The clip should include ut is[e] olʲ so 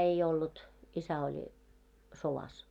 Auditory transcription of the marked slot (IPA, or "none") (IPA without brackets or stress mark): æ